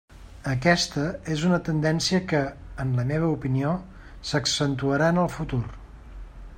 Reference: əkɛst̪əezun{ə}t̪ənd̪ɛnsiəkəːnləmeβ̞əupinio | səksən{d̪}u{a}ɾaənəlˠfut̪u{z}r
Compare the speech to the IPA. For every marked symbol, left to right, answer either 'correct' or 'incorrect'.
correct, incorrect, incorrect, incorrect

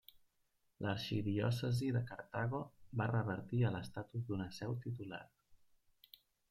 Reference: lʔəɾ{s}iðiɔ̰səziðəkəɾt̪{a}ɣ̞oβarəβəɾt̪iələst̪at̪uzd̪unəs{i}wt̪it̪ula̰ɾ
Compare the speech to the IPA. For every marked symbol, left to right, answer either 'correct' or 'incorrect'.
incorrect, correct, incorrect

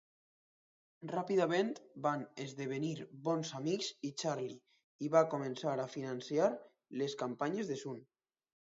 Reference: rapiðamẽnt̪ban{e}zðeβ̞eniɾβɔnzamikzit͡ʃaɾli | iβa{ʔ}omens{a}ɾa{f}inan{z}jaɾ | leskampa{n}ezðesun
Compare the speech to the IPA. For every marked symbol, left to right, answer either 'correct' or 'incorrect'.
correct, incorrect, correct, correct, incorrect, incorrect

